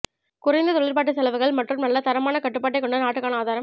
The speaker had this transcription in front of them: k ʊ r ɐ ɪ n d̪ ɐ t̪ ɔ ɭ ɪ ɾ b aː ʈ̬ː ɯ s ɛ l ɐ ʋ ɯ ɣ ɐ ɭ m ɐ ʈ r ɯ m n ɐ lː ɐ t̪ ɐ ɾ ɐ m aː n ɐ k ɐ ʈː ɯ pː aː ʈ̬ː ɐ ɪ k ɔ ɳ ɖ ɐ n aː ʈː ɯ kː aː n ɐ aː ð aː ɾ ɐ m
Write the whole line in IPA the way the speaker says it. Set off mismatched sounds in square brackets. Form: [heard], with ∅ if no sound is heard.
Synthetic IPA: k ʊ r ɐ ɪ n d̪ ɐ t̪ ɔ ɭ ɪ ɾ [p] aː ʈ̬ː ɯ s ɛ l ɐ ʋ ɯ ɣ ɐ ɭ m ɐ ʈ r ɯ m n ɐ lː ɐ t̪ ɐ ɾ ɐ m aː n ɐ k ɐ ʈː ɯ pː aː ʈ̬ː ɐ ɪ k ɔ ɳ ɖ ɐ n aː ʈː ɯ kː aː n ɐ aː ð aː ɾ ɐ m